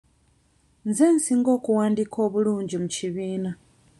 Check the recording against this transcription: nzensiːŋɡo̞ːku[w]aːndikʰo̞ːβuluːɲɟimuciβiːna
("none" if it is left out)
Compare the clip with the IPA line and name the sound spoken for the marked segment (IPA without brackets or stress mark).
w